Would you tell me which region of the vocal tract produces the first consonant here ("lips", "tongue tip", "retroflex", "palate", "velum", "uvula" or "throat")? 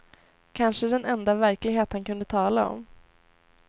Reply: velum